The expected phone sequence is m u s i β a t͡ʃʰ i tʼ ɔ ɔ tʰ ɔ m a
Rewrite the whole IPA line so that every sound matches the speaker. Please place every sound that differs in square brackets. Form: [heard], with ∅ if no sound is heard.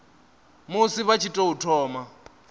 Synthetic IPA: m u s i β a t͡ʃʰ i tʼ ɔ [u] tʰ [ɔː] m a